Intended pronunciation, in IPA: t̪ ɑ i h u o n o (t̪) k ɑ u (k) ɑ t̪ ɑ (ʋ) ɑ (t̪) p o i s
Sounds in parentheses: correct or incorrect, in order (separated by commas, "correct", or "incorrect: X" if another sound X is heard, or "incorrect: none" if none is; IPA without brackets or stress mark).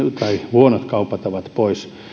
correct, incorrect: p, correct, correct